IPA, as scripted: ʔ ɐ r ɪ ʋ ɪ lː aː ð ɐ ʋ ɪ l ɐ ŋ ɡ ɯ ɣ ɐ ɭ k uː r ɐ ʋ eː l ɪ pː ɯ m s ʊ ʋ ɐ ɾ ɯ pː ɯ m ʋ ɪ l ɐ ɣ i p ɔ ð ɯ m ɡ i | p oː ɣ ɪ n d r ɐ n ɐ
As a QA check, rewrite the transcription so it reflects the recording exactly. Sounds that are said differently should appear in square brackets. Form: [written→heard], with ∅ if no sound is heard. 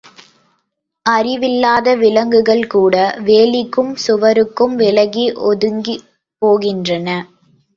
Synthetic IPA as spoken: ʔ ɐ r ɪ ʋ ɪ lː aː ð ɐ ʋ ɪ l ɐ ŋ ɡ ɯ ɣ ɐ ɭ k uː [r→ɽ] ɐ ʋ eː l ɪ [pː→kː] ɯ m s ʊ ʋ ɐ ɾ ɯ [pː→kː] ɯ m ʋ ɪ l ɐ ɣ i [p→ʔ] ɔ ð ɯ [m→ŋ] ɡ i | p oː ɣ ɪ n d r ɐ n ɐ

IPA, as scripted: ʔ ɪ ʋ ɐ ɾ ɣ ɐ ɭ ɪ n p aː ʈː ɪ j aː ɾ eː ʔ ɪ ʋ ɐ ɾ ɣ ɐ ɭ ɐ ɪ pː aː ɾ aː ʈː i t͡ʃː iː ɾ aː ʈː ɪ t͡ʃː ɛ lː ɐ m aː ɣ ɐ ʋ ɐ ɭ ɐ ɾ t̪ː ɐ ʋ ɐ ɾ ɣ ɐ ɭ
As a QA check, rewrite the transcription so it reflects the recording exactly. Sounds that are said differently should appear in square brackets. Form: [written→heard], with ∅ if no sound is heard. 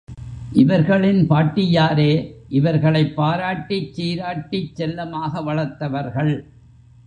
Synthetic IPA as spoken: ʔ ɪ ʋ ɐ ɾ ɣ ɐ ɭ ɪ n p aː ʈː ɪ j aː ɾ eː ʔ ɪ ʋ ɐ ɾ ɣ ɐ ɭ ɐ ɪ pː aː ɾ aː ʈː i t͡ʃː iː ɾ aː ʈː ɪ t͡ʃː ɛ lː ɐ m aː ɣ ɐ ʋ ɐ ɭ ɐ ɾ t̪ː ɐ ʋ ɐ ɾ ɣ ɐ ɭ

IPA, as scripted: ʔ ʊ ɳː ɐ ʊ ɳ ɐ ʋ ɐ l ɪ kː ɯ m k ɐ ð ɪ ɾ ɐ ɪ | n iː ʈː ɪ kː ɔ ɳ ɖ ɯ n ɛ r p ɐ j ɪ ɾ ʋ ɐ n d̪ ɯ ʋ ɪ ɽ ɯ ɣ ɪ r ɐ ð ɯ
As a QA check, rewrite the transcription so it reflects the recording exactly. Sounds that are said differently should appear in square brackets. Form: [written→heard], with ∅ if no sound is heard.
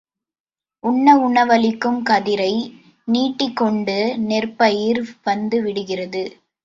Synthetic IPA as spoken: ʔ ʊ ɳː ɐ ʊ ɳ ɐ ʋ ɐ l ɪ kː ɯ m k ɐ ð ɪ ɾ ɐ ɪ | n iː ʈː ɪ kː ɔ ɳ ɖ ɯ n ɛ r p ɐ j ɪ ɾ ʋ ɐ n d̪ ɯ ʋ ɪ ɽ ɯ ɣ ɪ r ɐ ð ɯ

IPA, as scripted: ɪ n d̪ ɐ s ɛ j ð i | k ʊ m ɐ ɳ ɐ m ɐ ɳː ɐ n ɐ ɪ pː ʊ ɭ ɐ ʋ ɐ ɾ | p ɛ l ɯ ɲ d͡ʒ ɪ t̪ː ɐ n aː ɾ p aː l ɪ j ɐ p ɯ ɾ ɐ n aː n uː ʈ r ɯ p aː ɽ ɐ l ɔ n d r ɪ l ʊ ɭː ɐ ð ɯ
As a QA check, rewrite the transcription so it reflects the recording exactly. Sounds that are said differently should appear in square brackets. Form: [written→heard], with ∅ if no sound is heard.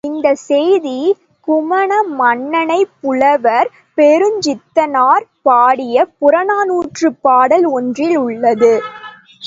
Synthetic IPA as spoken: ɪ n d̪ ɐ s ɛ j ð i | k ʊ m ɐ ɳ ɐ m ɐ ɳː ɐ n ɐ ɪ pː ʊ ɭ ɐ ʋ ɐ ɾ | p ɛ [l→ɾ] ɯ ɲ d͡ʒ ɪ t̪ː ɐ n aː ɾ p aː [l→ɽ] ɪ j ɐ p [ɯ→ʊ] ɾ ɐ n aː n uː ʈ r ɯ p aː ɽ ɐ l ɔ n d r ɪ l ʊ ɭː ɐ ð ɯ

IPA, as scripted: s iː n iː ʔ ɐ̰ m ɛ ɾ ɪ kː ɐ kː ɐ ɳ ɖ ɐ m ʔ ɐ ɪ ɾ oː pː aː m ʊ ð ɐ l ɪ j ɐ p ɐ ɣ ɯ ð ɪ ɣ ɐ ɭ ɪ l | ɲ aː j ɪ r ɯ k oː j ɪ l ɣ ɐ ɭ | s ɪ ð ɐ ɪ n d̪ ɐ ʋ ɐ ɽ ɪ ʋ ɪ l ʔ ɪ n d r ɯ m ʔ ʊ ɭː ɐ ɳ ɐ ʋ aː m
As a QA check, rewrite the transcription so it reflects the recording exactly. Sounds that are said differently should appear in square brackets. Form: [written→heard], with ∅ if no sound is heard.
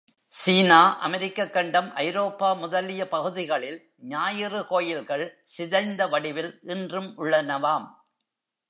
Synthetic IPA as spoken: s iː n [iː→aː] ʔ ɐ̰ m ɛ ɾ ɪ kː ɐ kː ɐ ɳ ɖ ɐ m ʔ ɐ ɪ ɾ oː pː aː m ʊ ð ɐ l ɪ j ɐ p ɐ ɣ ɯ ð ɪ ɣ ɐ ɭ ɪ l | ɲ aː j ɪ r ɯ k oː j ɪ l ɣ ɐ ɭ | s ɪ ð ɐ ɪ n d̪ ɐ ʋ ɐ ɽ ɪ ʋ ɪ l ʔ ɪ n d r ɯ m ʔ ʊ ɭː ɐ [ɳ→n] ɐ ʋ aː m

